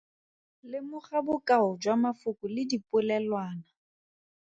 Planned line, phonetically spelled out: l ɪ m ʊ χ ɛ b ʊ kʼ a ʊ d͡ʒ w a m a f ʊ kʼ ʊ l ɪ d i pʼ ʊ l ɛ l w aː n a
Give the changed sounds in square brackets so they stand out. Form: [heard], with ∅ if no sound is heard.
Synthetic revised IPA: l ɪ m ʊ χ [a] b ʊ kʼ a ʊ d͡ʒ w a m a f ʊ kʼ ʊ l ɪ d i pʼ ʊ l ɛ l w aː n a